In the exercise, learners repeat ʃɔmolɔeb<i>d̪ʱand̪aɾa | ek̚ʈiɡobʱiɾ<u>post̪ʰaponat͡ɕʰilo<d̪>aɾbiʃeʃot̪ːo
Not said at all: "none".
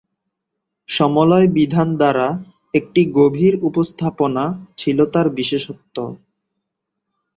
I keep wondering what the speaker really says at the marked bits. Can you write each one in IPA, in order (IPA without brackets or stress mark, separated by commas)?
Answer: i, u, t̪